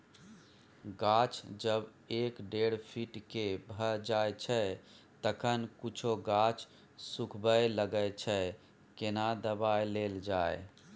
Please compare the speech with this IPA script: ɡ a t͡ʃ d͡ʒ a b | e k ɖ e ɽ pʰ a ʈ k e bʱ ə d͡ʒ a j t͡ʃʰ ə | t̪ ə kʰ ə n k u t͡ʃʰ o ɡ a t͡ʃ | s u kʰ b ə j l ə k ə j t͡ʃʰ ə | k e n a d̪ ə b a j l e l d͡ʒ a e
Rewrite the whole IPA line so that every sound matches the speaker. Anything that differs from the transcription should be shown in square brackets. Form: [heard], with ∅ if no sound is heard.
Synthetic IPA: ɡ a t͡ʃ d͡ʒ [ə] b | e k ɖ e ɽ pʰ [i] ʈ k e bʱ ə d͡ʒ a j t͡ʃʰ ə | t̪ ə kʰ ə n k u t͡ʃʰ o ɡ a t͡ʃ | s u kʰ b ə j l ə [ɡ] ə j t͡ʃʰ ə | k e n a d̪ ə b a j l e l d͡ʒ a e